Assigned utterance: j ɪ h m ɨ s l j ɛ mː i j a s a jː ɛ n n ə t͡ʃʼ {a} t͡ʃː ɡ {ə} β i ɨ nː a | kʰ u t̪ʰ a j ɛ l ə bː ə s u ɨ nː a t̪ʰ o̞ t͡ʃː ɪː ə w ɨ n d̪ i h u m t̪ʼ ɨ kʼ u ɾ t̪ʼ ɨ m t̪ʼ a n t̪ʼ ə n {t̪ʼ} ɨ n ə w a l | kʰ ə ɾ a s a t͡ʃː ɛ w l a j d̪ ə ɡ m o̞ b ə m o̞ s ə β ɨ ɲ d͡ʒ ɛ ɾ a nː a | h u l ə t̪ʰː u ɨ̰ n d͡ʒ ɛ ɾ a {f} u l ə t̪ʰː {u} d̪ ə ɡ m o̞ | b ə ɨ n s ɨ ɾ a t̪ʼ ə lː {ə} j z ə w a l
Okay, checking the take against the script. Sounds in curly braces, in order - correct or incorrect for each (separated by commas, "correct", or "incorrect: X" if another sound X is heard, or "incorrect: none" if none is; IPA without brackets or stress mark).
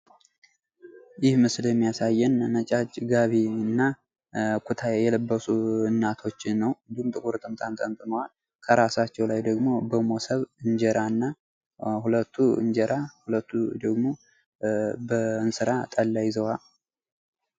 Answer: correct, incorrect: a, correct, incorrect: h, correct, incorrect: a